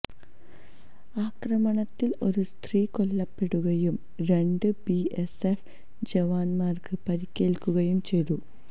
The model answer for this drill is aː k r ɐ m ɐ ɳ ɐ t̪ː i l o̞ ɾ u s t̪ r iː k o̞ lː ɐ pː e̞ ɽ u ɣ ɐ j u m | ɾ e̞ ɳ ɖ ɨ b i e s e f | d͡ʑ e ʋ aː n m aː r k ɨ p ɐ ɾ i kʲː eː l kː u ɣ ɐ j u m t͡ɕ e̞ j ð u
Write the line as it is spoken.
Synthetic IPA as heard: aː k r ɐ m ɐ ɳ ɐ t̪ː i l o̞ ɾ u s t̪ r iː k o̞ lː ɐ pː e̞ ɽ u ɣ ɐ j u m | ɾ e̞ ɳ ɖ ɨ b i e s e f | d͡ʑ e ʋ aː n m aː r k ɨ p ɐ ɾ i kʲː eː l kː u ɣ ɐ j u m t͡ɕ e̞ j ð u